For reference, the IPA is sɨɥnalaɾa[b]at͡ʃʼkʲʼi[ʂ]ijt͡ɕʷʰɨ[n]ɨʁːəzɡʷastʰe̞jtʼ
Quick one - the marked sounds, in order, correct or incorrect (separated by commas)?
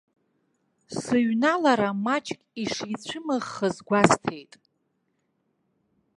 incorrect, correct, incorrect